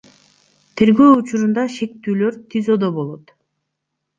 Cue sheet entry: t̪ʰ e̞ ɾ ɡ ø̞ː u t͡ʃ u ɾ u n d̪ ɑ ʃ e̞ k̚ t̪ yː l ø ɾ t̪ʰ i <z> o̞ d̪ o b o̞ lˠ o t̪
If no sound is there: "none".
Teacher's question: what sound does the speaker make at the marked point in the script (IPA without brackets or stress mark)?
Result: z